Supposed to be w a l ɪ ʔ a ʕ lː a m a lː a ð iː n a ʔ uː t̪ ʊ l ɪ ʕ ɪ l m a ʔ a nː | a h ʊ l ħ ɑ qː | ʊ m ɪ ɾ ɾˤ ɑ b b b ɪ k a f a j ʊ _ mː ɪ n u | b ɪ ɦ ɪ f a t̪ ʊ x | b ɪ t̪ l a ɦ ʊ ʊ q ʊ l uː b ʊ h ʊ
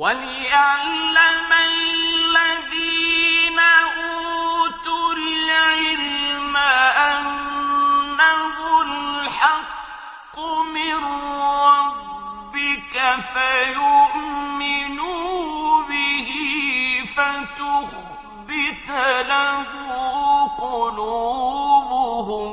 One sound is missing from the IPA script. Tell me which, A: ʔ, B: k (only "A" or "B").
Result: A